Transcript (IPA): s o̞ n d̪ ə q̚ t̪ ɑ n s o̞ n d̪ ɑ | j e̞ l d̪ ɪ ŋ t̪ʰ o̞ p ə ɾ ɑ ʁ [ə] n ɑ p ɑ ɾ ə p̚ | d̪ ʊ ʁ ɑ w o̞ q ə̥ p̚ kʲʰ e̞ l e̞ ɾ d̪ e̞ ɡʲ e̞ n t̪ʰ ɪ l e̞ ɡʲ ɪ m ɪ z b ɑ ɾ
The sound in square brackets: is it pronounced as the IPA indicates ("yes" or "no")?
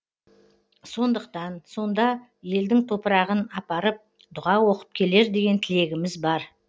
yes